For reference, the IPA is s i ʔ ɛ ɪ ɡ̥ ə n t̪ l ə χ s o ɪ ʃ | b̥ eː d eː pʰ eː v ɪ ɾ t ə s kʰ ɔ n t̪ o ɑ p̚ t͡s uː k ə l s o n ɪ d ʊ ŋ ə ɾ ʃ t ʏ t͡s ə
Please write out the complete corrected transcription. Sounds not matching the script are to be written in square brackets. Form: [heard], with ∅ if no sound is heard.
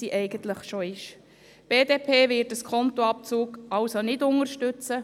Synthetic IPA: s i ʔ ɛ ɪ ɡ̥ ə n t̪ l ə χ [ʃ] o ɪ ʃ | b̥ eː d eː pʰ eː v ɪ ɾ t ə s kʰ ɔ n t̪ o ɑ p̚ t͡s uː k [ɑ] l s o n ɪ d ʊ ŋ ə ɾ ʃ t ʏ t͡s ə